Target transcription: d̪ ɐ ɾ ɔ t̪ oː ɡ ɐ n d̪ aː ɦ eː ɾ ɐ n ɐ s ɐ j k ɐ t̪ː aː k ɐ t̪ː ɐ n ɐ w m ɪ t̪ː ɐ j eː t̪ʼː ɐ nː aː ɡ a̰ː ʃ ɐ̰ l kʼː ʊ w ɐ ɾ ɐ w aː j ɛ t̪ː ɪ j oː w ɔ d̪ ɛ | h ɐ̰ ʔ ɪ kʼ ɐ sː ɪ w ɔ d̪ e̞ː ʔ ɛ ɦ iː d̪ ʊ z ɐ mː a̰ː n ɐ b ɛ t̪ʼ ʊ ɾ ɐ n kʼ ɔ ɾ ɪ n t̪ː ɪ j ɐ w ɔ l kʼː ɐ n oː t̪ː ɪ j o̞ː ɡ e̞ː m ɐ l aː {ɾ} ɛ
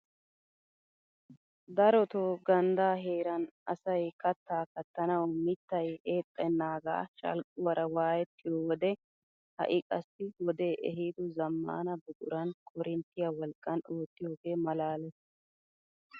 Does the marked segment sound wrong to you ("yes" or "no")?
yes